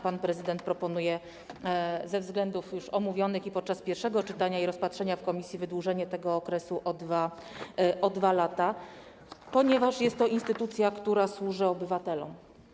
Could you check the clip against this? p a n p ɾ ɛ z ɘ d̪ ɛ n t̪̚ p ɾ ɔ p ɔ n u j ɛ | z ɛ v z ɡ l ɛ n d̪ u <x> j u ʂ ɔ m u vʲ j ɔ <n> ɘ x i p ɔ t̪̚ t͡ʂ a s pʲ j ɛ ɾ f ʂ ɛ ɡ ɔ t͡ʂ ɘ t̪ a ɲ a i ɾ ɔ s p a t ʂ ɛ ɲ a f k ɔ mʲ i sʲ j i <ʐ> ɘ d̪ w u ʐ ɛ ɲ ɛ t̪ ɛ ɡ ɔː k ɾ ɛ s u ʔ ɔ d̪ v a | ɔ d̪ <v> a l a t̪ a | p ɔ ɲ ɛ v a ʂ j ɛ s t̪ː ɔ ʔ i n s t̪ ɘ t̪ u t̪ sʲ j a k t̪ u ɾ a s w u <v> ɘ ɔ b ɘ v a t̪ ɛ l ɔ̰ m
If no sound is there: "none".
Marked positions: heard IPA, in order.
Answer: f, n, v, v, ʐ

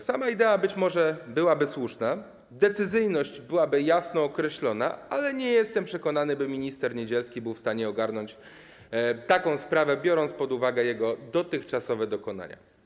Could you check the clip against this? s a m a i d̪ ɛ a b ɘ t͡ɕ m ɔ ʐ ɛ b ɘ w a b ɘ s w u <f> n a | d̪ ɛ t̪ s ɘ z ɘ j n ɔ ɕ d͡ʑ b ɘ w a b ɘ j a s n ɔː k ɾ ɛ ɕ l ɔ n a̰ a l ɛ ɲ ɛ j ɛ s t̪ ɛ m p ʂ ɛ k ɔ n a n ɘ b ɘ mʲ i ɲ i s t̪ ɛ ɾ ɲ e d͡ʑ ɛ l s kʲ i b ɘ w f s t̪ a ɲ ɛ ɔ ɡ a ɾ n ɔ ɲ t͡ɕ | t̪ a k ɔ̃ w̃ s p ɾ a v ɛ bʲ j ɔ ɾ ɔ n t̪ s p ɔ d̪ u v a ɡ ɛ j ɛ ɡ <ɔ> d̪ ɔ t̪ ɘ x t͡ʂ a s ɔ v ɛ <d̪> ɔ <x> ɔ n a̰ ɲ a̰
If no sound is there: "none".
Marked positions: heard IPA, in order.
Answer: ʂ, ɔ, d̪, k

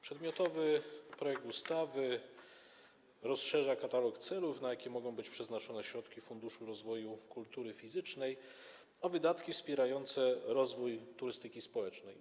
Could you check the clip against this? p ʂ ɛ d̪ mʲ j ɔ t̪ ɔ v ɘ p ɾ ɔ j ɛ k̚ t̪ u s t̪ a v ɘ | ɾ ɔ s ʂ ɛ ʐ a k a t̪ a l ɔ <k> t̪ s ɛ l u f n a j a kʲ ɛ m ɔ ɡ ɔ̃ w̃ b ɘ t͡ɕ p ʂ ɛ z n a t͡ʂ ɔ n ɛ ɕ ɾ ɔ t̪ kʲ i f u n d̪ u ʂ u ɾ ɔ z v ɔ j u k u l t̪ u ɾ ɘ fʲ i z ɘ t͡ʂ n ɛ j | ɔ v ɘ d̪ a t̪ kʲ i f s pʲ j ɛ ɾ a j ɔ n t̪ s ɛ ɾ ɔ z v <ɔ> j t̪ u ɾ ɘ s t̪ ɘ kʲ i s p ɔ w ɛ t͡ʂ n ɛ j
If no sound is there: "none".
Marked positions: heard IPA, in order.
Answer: k, u

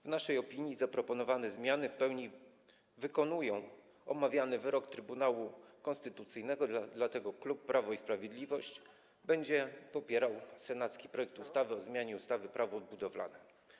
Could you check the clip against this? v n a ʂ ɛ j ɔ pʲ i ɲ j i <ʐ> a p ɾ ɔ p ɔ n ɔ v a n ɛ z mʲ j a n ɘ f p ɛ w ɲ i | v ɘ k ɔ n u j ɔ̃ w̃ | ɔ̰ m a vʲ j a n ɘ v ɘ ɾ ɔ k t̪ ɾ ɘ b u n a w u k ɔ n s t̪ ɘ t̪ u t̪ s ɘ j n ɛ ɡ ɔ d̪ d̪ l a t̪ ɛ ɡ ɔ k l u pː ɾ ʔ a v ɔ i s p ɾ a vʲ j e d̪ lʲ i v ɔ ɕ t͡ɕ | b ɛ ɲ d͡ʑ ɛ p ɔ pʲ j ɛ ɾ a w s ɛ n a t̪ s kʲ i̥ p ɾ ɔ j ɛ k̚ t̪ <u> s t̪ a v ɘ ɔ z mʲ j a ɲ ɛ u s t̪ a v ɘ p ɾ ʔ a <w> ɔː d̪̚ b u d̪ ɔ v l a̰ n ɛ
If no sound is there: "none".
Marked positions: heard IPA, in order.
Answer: z, u, v

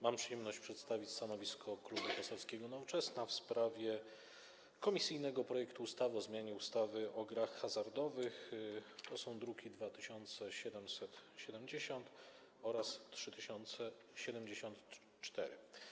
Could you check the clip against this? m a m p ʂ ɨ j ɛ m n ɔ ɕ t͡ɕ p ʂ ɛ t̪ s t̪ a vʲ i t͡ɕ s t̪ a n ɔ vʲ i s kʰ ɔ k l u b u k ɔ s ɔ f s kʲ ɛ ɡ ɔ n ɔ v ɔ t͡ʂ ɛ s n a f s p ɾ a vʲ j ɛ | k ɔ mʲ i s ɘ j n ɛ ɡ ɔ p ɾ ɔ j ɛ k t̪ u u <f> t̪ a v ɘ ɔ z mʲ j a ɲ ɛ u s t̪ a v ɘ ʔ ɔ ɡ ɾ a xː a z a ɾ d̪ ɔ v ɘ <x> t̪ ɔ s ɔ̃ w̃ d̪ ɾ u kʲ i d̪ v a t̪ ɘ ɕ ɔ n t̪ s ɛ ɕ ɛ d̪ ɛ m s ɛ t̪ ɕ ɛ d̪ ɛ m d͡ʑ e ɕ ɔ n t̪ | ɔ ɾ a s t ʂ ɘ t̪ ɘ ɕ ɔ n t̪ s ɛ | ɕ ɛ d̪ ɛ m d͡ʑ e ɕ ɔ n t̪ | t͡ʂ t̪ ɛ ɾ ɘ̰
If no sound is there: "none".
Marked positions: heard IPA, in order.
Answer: s, x

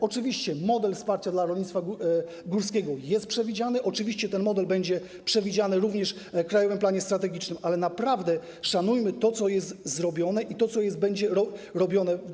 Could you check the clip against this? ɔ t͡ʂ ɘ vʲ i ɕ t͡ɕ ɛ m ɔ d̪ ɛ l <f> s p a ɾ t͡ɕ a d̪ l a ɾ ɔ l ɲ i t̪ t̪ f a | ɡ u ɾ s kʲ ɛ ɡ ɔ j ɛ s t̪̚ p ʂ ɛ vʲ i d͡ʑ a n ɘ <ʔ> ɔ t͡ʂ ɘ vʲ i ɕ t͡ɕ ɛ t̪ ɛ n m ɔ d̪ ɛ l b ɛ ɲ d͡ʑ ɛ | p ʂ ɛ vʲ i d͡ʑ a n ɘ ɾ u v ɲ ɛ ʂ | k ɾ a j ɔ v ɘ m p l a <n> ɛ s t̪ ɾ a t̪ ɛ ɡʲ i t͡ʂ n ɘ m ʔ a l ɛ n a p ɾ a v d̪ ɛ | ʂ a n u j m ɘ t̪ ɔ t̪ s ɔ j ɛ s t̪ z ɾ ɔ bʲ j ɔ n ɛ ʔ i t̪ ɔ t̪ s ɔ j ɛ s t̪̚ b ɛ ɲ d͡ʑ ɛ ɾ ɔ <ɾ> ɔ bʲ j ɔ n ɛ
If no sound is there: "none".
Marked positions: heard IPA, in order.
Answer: f, ʔ, ɲ, ɾ

